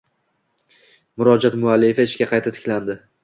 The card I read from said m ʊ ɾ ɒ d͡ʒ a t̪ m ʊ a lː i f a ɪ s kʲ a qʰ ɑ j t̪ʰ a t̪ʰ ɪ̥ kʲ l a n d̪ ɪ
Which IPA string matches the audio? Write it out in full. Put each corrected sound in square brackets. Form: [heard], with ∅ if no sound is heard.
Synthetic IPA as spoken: m ʊ ɾ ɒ d͡ʒ a t̪ m ʊ a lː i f a ɪ [ʃ] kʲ a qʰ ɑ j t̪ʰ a t̪ʰ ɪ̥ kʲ l a n d̪ ɪ